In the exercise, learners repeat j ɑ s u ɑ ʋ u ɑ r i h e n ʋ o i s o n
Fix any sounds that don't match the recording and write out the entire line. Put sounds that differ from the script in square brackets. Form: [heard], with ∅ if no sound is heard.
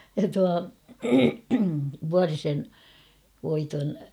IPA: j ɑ [t] u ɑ ʋ u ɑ r i [s] e n ʋ o i [t] o n